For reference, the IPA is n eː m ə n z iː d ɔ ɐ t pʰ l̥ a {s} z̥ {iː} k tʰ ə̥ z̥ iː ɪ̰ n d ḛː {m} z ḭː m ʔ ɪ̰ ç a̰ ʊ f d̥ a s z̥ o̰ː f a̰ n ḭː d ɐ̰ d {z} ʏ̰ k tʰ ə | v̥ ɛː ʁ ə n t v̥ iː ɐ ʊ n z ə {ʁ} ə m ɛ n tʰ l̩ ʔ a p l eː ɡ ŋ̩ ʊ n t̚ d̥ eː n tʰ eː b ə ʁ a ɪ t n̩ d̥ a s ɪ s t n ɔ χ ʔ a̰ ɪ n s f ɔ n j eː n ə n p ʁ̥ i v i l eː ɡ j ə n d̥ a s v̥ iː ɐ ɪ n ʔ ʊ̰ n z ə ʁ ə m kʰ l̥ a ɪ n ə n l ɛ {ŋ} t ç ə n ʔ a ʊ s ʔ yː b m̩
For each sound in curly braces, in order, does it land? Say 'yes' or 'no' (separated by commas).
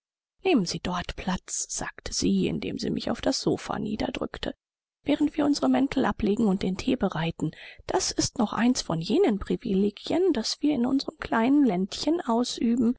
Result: no, no, yes, no, yes, no